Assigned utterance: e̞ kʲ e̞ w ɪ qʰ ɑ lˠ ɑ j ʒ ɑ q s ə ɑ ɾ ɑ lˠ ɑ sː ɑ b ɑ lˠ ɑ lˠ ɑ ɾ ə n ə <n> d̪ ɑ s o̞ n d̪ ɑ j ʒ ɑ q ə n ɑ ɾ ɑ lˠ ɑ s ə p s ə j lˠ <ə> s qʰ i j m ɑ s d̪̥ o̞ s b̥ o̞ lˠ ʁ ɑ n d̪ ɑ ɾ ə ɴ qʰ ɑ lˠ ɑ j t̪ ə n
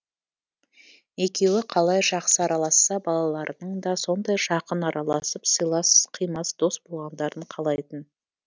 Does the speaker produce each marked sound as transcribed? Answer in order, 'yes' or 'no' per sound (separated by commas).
no, no